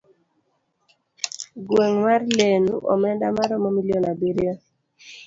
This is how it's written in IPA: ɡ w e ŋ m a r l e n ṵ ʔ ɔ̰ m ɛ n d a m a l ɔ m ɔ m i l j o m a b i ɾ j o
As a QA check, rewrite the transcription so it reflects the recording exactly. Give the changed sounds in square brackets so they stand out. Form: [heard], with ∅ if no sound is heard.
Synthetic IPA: ɡ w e ŋ m a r l e n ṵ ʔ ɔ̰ m ɛ n d a m a [ɾ] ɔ m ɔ m i l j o [n] a b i ɾ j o